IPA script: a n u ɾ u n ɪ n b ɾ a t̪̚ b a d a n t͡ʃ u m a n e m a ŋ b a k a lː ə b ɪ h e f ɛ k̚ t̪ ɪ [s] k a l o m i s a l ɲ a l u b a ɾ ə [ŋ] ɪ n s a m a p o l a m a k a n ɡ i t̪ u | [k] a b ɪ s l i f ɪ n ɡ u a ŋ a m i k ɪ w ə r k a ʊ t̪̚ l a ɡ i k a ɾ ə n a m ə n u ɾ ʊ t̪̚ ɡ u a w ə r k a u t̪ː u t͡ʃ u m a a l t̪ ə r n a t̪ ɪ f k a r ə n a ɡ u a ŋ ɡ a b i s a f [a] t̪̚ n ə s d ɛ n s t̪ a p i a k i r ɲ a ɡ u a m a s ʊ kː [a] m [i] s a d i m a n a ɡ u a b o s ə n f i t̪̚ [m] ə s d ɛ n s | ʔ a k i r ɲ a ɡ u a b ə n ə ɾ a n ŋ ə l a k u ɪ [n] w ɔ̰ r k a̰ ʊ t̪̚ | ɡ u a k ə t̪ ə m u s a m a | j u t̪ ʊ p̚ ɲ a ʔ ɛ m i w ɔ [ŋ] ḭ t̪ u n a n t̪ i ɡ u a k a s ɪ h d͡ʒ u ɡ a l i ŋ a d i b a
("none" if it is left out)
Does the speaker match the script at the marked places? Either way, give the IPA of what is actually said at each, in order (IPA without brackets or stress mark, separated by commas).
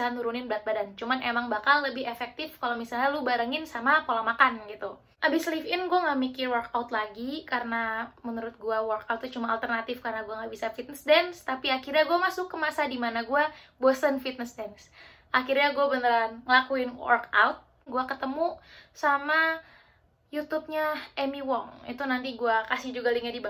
f, ŋ, ʔ, i, ə, a, n, n, ŋ